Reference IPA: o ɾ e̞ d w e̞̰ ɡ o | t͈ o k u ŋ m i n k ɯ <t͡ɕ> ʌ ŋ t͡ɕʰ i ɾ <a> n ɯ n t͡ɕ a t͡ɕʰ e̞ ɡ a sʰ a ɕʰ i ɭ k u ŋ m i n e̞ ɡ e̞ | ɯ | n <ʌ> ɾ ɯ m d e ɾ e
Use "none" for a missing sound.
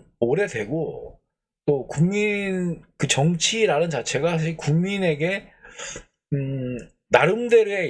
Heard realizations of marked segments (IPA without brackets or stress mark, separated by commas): t͡ɕ, a, a